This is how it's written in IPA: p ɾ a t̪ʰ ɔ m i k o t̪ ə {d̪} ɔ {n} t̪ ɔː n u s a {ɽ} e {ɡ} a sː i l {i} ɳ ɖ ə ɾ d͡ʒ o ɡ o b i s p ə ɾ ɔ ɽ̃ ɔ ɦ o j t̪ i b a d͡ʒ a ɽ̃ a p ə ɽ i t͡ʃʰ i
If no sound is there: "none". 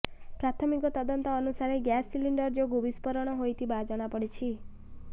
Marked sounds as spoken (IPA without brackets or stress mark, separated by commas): d̪, n, ɾ, ɡ, i